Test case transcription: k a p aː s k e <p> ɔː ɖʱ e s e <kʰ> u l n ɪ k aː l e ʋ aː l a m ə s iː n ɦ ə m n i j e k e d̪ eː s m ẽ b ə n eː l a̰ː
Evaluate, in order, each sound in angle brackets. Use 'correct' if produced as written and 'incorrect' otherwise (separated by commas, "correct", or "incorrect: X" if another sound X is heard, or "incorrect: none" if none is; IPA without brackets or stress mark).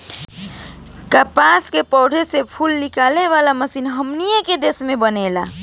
correct, incorrect: pʰ